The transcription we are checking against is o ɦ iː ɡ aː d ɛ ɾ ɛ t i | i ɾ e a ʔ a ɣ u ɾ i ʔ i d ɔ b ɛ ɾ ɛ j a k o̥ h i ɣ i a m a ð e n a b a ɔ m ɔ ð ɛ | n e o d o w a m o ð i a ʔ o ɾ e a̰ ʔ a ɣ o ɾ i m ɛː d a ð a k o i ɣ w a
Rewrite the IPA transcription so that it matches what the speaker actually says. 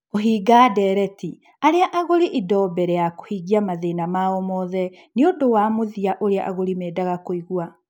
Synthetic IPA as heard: o ɦ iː ɡ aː d ɛ ɾ ɛ t i | a ɾ e a ʔ a ɣ o ɾ i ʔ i d ɔ b ɛ ɾ ɛ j a k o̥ h i ɣ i a m a ð e n a m a ɔ m ɔ ð ɛ | n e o d o w a m o ð i a ʔ o ɾ e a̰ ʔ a ɣ o ɾ i m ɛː d a ɣ a k o i ɣ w a